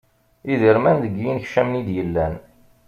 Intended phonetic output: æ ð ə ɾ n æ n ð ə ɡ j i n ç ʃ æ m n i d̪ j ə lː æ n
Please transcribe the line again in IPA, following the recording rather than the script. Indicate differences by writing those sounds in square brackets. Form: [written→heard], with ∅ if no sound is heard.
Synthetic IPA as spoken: [æ→i] ð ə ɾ [n→m] æ n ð ə ɡ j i n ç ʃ æ m n i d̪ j ə lː æ n